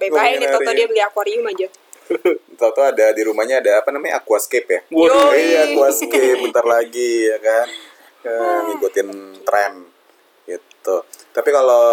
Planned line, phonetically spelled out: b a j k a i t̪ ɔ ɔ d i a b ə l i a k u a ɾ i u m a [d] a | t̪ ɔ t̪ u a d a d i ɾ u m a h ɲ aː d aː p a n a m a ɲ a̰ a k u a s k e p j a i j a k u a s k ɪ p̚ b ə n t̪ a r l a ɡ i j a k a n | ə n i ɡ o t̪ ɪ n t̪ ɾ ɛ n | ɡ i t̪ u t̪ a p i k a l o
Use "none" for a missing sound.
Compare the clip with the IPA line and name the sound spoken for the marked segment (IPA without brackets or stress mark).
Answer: d͡ʒ